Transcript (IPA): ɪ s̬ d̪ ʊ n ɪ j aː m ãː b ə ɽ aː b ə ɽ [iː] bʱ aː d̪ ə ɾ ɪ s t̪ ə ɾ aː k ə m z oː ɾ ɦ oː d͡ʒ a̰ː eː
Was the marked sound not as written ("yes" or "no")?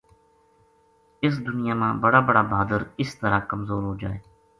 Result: yes